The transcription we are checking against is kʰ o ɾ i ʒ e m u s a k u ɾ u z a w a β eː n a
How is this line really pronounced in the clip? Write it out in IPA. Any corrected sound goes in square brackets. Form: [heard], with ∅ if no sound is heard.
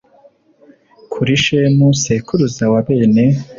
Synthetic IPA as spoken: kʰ [u] ɾ i [ʃ] e m u s [e] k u ɾ u z a w a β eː n [e]

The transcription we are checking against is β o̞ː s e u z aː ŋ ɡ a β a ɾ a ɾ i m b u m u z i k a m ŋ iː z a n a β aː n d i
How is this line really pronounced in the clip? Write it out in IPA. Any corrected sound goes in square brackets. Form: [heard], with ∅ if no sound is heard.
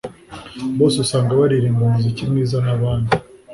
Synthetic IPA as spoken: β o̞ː s e u [s] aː ŋ ɡ a β a ɾ [i] ɾ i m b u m u z i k [i] m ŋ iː z a n a β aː n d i

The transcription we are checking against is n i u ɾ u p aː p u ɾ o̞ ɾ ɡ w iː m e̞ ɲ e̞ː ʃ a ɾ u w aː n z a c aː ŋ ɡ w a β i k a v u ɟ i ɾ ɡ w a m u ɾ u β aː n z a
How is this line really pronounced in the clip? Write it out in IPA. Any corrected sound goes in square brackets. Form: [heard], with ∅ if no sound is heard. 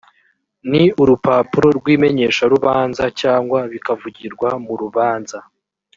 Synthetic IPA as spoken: n i u ɾ u p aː p u ɾ o̞ ɾ ɡ w iː m e̞ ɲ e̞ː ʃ a ɾ u [β] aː n z a c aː ŋ ɡ w a β i k a v u ɟ i ɾ ɡ w a m u ɾ u β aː n z a

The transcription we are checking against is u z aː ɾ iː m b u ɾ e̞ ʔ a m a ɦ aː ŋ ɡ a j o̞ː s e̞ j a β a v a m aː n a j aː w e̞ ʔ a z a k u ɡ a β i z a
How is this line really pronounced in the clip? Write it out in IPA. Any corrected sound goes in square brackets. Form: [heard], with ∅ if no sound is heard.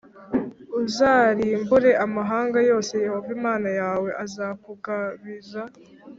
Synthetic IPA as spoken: u z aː ɾ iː m b u ɾ e̞ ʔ a m a ɦ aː ŋ ɡ a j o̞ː s e̞ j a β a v [i] m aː n a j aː w e̞ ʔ a z a k u ɡ a β i z a

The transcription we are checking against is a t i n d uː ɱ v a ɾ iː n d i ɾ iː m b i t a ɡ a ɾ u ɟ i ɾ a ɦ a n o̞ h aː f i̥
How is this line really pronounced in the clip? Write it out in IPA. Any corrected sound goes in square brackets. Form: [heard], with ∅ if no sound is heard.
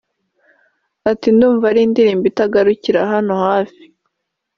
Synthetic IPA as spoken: a t i n d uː ɱ v a ɾ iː n d i ɾ iː m b i t a ɡ a ɾ u [c] i ɾ a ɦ a n o̞ h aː f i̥

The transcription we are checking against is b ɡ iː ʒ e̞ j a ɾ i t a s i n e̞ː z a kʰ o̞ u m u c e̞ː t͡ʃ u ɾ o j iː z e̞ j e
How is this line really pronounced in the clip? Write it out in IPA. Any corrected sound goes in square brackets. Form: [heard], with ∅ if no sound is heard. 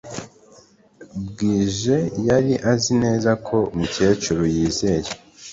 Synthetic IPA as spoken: b ɡ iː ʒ e̞ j a ɾ i [ʔ] a [z] i n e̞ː z a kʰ o̞ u m u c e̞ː t͡ʃ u ɾ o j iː z e̞ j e

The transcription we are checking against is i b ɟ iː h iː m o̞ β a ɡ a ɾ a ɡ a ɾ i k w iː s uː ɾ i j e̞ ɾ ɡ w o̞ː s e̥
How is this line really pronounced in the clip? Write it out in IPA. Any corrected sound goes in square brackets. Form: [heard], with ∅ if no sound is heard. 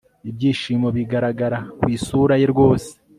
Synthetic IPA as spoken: i b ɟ iː [ʃ] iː m o̞ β [i] ɡ a ɾ a ɡ a ɾ [a] k w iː s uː ɾ [a] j e̞ ɾ ɡ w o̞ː s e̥

